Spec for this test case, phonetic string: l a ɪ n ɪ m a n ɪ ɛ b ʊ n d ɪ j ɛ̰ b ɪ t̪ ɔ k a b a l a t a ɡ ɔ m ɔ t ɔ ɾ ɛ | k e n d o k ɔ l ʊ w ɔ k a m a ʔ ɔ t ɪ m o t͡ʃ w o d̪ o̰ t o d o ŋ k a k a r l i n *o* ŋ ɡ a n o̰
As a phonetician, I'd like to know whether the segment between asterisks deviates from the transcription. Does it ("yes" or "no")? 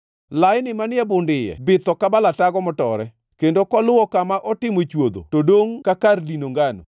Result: no